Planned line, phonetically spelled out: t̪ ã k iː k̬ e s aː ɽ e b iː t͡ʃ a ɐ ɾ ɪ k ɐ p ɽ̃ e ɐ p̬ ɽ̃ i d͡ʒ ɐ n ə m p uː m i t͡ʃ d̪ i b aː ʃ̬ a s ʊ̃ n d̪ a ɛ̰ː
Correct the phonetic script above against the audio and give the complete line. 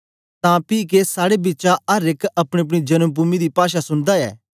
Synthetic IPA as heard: t̪ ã p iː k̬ e s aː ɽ e b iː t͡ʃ a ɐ ɾ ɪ k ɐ p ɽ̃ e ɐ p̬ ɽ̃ i d͡ʒ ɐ n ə m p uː m i d̪ i p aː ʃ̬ a s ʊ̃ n d̪ a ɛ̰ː